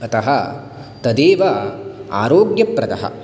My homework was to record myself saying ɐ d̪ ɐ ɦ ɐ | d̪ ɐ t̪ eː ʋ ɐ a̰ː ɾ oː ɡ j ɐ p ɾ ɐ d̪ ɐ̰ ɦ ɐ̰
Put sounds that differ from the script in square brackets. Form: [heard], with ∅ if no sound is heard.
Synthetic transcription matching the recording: ɐ [t̪] ɐ ɦ ɐ | [t̪] ɐ [d̪] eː ʋ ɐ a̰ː ɾ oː ɡ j ɐ p ɾ ɐ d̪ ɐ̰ ɦ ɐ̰